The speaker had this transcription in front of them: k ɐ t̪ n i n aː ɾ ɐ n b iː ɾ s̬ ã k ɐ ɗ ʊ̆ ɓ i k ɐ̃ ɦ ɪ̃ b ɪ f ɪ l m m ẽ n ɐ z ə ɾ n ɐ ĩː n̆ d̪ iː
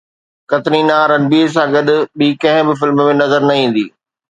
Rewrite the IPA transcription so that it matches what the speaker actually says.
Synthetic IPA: k ɐ t̪ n i n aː ɾ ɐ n b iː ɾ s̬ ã ɡ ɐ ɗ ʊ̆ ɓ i k ɐ̃ ɦ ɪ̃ b ɪ f ɪ l m m ẽ n ɐ z ə ɾ n ɐ ĩː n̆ d̪ iː

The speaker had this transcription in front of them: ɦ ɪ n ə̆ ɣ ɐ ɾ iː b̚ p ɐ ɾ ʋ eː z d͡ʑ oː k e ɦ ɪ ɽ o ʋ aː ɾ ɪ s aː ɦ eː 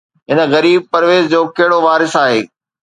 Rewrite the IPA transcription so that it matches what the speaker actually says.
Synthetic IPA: ɦ ɪ n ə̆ ɣ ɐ ɾ iː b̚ p ɐ ɾ ʋ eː z d͡ʑ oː k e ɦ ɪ ɽ o ʋ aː ɾ ɪ s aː ɦ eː

